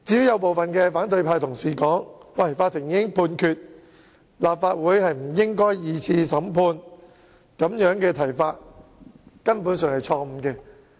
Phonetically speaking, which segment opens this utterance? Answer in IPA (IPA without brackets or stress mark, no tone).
t͡s